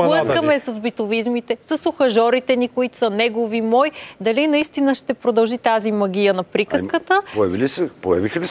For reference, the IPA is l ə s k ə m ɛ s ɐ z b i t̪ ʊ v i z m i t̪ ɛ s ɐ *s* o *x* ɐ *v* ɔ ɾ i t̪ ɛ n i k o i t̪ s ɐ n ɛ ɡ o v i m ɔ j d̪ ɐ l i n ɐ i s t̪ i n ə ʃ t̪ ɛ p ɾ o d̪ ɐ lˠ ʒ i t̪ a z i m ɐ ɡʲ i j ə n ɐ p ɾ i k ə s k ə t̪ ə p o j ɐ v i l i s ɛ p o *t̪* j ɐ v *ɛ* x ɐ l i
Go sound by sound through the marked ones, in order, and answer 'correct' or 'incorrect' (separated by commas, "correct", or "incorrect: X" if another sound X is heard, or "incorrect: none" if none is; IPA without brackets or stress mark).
correct, correct, incorrect: ʒ, incorrect: none, incorrect: i